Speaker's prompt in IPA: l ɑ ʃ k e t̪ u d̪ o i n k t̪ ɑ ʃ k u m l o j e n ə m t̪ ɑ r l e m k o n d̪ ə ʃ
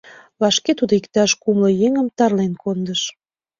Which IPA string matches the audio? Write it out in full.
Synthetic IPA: l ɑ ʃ k e t̪ u d̪ o i k t̪ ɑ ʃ k u m l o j e ŋ ə m t̪ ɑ r l e n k o n d̪ ə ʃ

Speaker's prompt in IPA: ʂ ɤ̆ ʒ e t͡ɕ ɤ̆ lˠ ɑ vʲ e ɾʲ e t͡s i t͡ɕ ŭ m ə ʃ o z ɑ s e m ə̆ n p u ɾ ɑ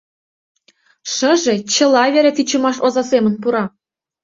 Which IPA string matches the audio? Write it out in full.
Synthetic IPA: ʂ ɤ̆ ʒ e t͡ɕ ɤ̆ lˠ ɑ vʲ e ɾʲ e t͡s i t͡ɕ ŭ m ɑ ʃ o z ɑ s e m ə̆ n p u ɾ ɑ

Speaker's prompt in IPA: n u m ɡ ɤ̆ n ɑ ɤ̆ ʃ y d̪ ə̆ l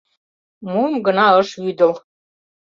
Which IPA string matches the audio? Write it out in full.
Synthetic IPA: m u m ɡ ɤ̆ n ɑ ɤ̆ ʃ y d̪ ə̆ l

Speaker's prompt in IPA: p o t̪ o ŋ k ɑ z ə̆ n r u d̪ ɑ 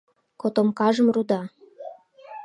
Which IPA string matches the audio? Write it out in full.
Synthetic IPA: k o t̪ o m k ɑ ʒ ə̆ m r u d̪ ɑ

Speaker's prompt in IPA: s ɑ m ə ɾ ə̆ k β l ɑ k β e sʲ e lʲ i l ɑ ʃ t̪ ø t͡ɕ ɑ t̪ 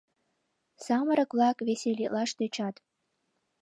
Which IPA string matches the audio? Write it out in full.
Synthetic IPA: s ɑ m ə ɾ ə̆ k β l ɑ k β e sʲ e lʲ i l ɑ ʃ t̪ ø t͡ɕ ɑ t̪

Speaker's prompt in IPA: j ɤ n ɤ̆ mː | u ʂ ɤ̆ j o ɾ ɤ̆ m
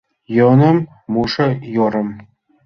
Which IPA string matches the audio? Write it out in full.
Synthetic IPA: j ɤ n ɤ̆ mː | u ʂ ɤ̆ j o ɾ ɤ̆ m

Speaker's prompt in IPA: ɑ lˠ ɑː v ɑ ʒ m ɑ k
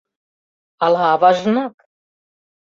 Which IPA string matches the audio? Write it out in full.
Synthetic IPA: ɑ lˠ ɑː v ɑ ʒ n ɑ k

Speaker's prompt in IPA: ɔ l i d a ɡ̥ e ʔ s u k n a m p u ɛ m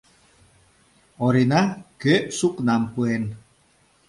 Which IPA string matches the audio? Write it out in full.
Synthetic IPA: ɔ ɾ i n a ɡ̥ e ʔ s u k n a m p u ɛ n

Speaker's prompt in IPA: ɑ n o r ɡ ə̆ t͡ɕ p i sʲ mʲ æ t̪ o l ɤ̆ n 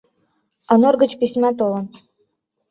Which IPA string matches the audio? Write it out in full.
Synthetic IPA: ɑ n o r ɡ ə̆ t͡ɕ p i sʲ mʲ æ t̪ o l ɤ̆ n

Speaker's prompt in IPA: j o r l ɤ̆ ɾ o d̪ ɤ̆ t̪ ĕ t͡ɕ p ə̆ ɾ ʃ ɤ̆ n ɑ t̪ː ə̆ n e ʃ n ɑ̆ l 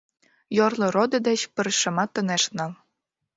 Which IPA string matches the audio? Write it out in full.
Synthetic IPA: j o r l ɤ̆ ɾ o d̪ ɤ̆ d̪ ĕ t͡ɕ p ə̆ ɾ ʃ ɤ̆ m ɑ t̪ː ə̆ n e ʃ n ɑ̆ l

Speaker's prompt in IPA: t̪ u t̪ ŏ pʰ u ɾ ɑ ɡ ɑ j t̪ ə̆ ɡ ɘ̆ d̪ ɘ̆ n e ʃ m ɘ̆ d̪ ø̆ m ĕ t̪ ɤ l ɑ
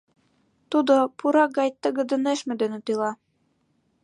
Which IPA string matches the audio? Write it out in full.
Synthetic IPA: t̪ u d̪ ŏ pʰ u ɾ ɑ ɡ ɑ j t̪ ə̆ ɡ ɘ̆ d̪ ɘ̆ n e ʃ m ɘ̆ d̪ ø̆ n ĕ t̪ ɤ l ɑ

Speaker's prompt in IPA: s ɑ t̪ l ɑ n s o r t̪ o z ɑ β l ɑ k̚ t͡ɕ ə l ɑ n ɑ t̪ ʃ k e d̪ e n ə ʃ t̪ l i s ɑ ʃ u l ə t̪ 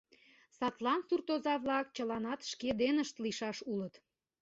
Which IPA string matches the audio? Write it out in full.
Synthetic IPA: s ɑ t̪ l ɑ n s u r t̪ o z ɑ β l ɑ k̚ t͡ɕ ə l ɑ n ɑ t̪ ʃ k e d̪ e n ə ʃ t̪ l i ʃ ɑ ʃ u l ə t̪

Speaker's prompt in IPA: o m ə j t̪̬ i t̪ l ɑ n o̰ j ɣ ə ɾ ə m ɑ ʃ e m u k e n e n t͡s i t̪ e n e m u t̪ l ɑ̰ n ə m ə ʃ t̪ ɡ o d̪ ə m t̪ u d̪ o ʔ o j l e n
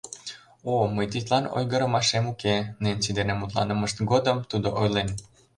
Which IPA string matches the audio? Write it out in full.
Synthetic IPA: o m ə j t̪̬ i t̪ l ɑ n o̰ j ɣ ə ɾ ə m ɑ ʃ e m u k e n e n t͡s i d̪ e n e m u t̪ l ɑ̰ n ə m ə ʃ t̪ ɡ o d̪ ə m t̪ u d̪ o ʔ o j l e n

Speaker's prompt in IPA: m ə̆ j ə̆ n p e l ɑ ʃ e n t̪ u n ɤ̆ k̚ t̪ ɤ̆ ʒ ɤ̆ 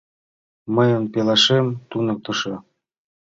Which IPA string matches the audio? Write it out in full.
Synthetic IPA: m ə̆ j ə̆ n p e l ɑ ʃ e m t̪ u n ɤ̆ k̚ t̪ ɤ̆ ʃ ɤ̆

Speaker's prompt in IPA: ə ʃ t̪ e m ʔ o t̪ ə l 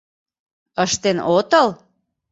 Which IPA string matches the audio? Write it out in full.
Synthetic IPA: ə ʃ t̪ e n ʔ o t̪ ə l

